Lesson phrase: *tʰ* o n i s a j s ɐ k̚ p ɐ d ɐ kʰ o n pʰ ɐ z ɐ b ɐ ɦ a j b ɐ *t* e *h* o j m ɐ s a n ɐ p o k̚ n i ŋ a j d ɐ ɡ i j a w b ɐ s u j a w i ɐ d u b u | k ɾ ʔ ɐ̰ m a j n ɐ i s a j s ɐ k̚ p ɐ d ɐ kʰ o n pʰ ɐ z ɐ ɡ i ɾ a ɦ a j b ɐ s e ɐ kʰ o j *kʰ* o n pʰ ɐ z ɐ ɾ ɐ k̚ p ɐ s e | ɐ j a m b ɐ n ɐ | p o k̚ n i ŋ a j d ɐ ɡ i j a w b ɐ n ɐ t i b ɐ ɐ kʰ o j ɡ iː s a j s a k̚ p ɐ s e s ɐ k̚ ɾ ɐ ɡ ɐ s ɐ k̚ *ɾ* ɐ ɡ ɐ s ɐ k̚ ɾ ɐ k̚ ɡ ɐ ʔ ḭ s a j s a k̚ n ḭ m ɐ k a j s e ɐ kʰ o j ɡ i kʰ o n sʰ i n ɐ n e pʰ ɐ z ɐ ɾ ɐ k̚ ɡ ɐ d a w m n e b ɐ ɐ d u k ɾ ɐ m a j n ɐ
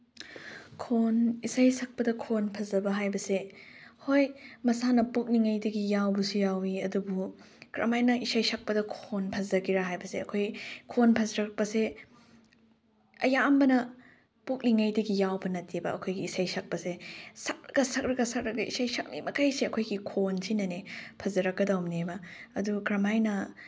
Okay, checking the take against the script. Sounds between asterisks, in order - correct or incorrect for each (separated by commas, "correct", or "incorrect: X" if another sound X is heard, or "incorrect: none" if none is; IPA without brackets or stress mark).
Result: incorrect: kʰ, incorrect: s, correct, correct, correct